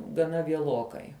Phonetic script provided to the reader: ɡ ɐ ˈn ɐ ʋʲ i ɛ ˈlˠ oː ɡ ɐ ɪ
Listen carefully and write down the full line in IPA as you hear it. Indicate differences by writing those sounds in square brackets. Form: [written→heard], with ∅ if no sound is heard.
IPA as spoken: ɡ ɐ ˈn ɐ ʋʲ i ɛ ˈlˠ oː [ɡ→k] ɐ ɪ